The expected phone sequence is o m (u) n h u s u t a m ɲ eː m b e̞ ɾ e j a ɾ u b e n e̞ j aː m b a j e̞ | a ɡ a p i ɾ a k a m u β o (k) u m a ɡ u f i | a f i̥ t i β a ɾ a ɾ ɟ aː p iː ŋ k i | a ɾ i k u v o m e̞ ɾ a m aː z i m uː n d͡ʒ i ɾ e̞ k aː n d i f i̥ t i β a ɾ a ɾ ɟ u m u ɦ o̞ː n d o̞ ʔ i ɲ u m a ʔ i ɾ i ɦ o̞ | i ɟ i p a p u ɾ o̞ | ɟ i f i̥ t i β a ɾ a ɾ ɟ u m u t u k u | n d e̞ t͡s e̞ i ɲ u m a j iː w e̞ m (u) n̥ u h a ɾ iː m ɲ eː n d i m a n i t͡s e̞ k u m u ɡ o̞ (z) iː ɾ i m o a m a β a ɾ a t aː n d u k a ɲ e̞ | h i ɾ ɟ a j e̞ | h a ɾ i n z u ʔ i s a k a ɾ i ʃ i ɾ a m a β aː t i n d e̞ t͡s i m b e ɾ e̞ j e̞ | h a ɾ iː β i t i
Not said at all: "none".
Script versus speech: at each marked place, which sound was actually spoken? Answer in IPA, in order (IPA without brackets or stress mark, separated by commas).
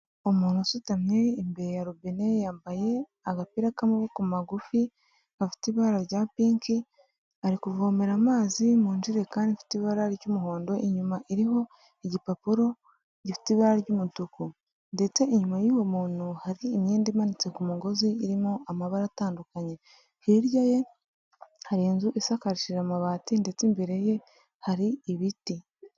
uː, k, uː, z